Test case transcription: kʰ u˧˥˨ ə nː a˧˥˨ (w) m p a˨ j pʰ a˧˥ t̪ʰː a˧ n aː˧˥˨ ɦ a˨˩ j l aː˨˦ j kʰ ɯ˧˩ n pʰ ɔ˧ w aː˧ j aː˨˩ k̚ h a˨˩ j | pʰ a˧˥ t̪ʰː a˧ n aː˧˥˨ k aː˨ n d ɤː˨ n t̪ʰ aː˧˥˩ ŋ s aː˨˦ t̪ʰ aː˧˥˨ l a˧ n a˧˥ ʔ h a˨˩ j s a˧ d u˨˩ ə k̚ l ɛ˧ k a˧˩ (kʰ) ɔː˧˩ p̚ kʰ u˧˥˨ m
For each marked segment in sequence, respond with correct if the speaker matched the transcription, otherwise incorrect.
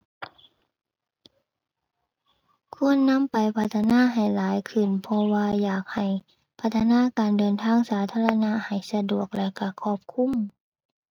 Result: incorrect, correct

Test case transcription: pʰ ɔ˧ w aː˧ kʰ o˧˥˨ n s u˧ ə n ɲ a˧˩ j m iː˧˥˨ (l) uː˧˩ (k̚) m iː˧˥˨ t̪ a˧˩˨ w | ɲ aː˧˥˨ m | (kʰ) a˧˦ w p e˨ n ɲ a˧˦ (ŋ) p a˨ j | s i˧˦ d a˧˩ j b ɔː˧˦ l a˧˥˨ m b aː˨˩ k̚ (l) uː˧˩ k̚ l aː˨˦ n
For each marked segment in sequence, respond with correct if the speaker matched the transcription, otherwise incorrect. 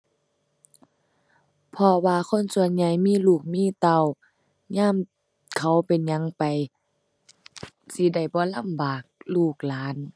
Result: correct, correct, correct, correct, correct

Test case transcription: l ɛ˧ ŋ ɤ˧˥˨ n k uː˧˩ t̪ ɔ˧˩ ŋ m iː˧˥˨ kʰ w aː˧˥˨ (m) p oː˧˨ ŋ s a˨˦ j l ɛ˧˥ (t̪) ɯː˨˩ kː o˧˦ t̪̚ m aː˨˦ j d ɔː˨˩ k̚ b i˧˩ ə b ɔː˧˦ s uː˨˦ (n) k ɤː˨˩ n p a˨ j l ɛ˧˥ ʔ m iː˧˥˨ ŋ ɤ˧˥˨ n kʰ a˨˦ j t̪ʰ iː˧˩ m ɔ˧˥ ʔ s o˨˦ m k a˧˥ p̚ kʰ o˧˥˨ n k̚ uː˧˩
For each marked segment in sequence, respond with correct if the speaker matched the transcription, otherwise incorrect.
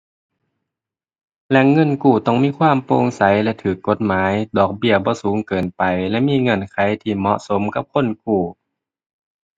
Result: correct, incorrect, incorrect

